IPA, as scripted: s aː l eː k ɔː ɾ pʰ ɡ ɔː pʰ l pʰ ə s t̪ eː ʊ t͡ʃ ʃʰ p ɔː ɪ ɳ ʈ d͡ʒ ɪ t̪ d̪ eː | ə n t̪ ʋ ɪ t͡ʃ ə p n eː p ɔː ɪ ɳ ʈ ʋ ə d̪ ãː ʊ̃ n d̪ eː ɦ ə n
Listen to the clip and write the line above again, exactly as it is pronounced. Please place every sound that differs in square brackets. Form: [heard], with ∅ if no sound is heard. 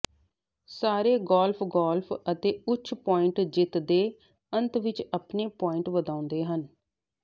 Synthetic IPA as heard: s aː [ɾ] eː [ɡ] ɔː [l] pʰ ɡ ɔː [∅] l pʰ ə [∅] t̪ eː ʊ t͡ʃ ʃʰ p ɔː ɪ ɳ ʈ d͡ʒ ɪ t̪ d̪ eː | ə n t̪ ʋ ɪ t͡ʃ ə p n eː p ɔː ɪ ɳ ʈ ʋ ə d̪ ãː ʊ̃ n d̪ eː ɦ ə n